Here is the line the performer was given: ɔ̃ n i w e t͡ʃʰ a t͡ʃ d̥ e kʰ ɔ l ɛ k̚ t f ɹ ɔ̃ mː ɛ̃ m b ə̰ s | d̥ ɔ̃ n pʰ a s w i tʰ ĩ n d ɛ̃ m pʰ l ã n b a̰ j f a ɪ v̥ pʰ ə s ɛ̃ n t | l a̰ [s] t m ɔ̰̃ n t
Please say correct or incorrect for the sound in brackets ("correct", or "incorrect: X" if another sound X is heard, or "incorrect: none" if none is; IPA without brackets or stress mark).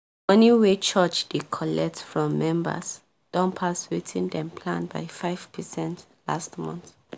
correct